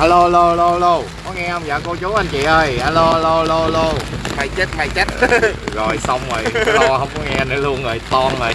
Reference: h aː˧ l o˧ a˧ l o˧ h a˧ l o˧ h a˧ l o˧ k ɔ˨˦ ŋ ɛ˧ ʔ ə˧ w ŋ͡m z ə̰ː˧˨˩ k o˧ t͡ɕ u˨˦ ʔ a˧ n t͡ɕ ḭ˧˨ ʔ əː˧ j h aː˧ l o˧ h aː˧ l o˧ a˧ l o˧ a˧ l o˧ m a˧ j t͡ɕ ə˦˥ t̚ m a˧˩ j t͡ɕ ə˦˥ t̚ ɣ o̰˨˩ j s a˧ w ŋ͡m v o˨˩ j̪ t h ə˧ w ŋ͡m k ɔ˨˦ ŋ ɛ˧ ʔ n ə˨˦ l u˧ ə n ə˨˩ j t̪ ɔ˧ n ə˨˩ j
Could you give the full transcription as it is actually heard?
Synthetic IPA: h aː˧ l o˧ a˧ l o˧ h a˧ l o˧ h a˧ l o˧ k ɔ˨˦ ŋ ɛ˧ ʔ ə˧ w ŋ͡m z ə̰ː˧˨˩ k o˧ t͡ɕ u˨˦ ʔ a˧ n t͡ɕ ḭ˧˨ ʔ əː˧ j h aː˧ l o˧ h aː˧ l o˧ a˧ l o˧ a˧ l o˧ m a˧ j t͡ɕ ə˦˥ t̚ m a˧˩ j t͡ɕ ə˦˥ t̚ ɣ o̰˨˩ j s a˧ w ŋ͡m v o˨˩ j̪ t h ə˧ w ŋ͡m k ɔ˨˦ ŋ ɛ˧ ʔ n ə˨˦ l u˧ ə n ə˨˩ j t̪ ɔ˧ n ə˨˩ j